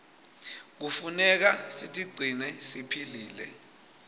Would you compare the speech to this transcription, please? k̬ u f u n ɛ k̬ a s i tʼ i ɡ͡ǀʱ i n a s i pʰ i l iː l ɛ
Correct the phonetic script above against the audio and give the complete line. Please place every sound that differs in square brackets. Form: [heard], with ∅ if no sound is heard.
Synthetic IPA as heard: k̬ u f u n ɛ k̬ a s i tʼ i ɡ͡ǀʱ i n [ɛ] s i pʰ i l iː l ɛ